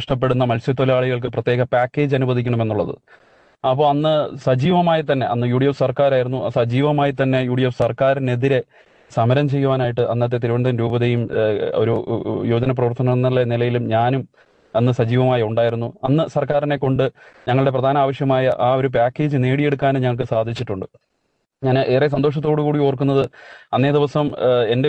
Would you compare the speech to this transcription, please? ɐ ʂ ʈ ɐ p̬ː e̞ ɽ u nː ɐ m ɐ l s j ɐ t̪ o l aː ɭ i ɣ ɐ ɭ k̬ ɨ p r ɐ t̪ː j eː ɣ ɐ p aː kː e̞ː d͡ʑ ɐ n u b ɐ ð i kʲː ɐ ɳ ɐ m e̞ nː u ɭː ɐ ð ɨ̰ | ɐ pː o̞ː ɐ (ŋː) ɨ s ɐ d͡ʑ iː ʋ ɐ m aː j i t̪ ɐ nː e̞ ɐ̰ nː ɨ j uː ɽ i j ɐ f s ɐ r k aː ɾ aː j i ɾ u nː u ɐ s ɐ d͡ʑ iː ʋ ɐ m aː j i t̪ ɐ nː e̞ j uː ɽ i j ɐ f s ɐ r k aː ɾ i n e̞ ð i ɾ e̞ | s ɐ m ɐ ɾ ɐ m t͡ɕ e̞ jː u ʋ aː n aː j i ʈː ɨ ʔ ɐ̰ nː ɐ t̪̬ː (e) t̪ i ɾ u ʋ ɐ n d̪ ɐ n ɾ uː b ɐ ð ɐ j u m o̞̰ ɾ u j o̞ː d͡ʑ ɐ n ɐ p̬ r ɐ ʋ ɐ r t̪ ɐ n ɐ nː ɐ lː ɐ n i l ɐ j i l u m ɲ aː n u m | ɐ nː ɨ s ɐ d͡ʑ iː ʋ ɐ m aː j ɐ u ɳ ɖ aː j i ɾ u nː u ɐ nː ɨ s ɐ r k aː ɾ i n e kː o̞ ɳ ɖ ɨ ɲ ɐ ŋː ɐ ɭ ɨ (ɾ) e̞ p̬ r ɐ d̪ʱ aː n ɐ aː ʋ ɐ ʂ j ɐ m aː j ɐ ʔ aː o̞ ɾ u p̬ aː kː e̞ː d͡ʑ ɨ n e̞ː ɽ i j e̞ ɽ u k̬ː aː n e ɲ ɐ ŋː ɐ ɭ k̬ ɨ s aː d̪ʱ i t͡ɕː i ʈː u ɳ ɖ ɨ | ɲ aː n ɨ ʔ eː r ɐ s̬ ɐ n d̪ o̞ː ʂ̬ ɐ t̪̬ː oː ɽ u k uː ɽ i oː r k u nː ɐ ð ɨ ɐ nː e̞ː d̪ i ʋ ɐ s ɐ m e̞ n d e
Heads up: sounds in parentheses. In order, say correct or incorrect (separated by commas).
incorrect, correct, incorrect